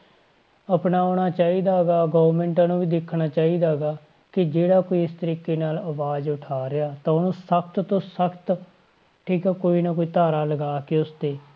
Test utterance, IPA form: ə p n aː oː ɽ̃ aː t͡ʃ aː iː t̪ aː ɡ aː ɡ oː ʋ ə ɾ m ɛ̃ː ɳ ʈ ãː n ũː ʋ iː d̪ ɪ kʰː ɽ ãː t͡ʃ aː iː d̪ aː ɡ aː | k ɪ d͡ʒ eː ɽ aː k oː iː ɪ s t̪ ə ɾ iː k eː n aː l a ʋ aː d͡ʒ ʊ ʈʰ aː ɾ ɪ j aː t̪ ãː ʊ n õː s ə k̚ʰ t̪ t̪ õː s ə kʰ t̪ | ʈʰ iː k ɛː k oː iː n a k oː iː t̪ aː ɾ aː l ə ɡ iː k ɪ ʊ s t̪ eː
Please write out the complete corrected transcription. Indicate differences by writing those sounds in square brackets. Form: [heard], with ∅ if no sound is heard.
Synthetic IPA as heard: ə p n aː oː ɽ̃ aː t͡ʃ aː iː [d̪] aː ɡ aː ɡ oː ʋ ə ɾ m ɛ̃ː ɳ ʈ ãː n ũː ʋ iː d̪ ɪ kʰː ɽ [aː] t͡ʃ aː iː d̪ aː ɡ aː | k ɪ d͡ʒ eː ɽ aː k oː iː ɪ s t̪ ə ɾ iː k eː n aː l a ʋ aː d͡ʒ ʊ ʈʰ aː ɾ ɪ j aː t̪ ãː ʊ n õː s ə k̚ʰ t̪ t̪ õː s ə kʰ t̪ | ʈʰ iː k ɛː k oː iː n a k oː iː t̪ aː ɾ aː l ə ɡ [aː] k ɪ ʊ s t̪ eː